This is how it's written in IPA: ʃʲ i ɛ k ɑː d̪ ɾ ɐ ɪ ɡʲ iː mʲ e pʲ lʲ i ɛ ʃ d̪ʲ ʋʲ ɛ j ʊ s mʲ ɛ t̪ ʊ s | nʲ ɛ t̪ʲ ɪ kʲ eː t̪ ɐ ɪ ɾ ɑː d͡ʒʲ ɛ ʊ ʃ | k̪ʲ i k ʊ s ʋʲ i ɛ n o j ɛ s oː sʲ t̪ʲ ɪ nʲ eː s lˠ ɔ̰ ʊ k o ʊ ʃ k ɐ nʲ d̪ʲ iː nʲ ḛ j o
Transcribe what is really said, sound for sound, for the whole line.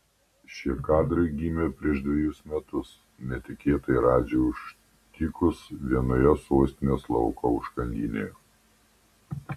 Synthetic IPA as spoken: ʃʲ i ɛ k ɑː d̪ ɾ ɐ ɪ ɡʲ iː mʲ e pʲ ɾʲ i ɛ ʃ d̪ʲ ʋʲ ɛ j ʊ s mʲ ɛ t̪ ʊ s | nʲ ɛ t̪ʲ ɪ kʲ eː t̪ ɐ ɪ ɾ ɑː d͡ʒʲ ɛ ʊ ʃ | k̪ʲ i k ʊ s ʋʲ i ɛ n o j ɛ s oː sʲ t̪ʲ ɪ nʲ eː s lˠ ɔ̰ ʊ k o ʊ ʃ k ɐ nʲ d̪ʲ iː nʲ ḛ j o